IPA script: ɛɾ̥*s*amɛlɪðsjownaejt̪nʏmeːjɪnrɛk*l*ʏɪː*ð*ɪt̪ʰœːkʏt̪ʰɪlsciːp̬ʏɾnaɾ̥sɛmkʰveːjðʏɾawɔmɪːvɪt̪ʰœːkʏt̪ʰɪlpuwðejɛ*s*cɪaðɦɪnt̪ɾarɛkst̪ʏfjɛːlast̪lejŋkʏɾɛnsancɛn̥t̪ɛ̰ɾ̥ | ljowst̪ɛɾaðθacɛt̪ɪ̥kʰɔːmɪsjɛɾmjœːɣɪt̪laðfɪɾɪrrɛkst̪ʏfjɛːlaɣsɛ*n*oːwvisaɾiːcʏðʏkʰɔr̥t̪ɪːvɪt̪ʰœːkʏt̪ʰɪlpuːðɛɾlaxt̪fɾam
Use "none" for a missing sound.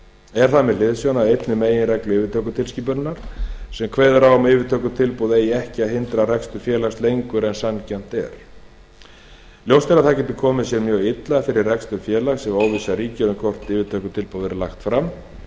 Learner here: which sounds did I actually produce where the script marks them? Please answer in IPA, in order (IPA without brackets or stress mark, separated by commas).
θ, l, v, h, m